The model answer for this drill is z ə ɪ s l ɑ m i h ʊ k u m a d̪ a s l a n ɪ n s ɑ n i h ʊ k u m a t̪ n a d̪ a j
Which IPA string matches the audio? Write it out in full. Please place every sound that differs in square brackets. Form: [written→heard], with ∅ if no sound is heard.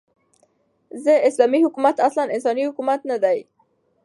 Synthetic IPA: z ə ɪ s l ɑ m i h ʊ k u m a [d̪→t̪] a s l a n ɪ n s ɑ n i h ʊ k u m a t̪ n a d̪ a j